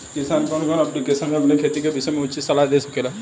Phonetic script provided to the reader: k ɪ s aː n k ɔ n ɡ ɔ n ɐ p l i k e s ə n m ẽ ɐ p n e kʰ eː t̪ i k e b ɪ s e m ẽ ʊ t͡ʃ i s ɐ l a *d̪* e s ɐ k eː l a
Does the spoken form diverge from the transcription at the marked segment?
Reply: no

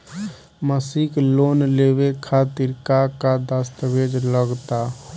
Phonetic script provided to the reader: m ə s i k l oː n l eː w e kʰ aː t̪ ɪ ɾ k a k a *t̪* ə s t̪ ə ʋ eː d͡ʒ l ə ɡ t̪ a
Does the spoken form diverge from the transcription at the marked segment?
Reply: yes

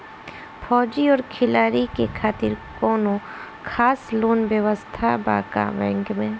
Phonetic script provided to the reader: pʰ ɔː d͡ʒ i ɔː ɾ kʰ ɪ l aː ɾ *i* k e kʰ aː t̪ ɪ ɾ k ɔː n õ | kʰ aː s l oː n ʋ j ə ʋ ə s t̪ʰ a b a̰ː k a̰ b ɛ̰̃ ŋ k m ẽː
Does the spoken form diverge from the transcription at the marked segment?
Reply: no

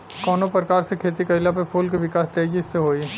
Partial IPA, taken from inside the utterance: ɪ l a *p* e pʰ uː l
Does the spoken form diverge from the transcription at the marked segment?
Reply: no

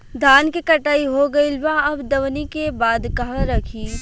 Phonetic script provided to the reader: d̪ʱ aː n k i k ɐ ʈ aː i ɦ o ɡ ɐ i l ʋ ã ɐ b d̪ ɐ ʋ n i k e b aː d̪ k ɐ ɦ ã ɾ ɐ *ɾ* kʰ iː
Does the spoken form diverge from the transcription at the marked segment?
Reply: yes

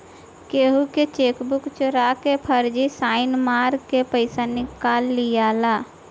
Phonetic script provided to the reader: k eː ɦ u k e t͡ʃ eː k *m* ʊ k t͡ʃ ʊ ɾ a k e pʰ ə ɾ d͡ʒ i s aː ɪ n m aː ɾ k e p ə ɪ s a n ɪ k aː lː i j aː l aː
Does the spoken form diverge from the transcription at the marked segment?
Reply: yes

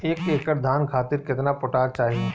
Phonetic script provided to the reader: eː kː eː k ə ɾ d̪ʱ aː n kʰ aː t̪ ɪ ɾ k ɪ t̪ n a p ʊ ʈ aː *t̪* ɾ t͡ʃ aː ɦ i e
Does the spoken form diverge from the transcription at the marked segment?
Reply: yes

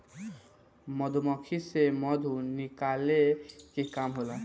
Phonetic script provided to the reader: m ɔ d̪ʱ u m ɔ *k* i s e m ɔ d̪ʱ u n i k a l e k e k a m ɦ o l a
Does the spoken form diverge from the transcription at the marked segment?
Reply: yes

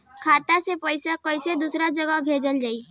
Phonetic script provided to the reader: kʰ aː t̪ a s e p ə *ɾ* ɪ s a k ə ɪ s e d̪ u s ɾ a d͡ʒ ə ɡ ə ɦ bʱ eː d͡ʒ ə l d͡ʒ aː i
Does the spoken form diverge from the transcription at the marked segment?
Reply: yes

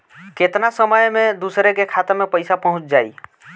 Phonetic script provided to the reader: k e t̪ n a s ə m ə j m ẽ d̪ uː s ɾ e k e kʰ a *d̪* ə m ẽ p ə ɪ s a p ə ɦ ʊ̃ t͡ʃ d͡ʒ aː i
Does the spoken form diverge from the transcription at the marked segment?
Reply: yes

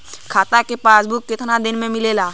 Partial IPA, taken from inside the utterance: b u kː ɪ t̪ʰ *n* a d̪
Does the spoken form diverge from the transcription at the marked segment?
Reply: no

